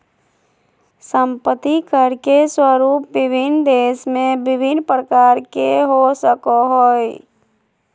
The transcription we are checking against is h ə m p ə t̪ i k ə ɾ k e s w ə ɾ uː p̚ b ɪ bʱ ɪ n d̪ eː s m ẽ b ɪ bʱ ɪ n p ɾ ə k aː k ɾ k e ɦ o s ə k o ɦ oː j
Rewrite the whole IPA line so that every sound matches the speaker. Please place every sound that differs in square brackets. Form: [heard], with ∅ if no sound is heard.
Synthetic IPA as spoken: [s] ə m p ə t̪ i k ə ɾ k e s w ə ɾ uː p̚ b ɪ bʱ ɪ n d̪ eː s m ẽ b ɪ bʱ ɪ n p ɾ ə k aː [∅] ɾ k e ɦ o s ə k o ɦ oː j

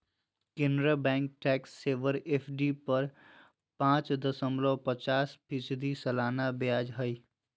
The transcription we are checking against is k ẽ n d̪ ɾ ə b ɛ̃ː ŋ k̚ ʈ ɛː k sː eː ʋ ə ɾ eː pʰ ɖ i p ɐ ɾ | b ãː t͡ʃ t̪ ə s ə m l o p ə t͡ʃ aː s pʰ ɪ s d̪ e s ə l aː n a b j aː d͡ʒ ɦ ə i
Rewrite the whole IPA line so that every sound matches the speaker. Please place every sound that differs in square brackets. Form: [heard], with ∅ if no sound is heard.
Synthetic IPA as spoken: k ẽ n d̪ ɾ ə b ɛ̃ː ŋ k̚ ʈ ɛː k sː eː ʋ ə ɾ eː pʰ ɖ i p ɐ ɾ | [p] ãː t͡ʃ [d̪] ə s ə m l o p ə t͡ʃ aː s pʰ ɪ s d̪ [i] s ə l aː n a b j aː d͡ʒ ɦ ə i

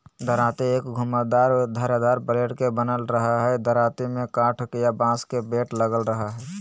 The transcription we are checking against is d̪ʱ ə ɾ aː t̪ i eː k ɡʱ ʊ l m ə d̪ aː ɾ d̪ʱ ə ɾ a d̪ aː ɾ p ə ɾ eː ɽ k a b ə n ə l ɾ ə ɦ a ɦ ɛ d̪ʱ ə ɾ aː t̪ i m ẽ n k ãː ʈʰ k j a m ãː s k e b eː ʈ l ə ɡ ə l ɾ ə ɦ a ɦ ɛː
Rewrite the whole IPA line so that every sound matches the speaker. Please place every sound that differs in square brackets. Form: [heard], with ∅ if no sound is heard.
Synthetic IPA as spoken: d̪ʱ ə ɾ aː t̪ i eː k ɡʱ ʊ [∅] m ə d̪ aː ɾ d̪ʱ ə ɾ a d̪ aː ɾ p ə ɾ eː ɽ k [e] b ə n ə l ɾ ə ɦ a ɦ ɛ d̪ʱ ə ɾ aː t̪ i m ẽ [∅] k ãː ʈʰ k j a [b] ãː s k e b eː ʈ l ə ɡ ə l ɾ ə ɦ a ɦ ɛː

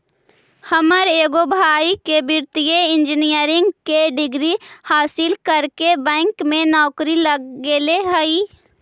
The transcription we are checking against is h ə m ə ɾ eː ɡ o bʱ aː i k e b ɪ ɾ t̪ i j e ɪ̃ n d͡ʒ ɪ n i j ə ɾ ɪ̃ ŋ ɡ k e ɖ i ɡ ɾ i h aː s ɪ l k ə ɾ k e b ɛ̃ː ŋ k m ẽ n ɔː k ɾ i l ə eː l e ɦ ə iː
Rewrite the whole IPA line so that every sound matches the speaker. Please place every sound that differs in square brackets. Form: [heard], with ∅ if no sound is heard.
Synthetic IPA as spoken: h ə m ə ɾ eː ɡ o bʱ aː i k e b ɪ ɾ t̪ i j e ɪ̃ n d͡ʒ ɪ n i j ə ɾ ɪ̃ ŋ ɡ k e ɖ [ɪ] ɡ ɾ i h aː s ɪ l k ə ɾ k e b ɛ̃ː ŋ k m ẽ n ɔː k ɾ i l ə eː l e ɦ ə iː

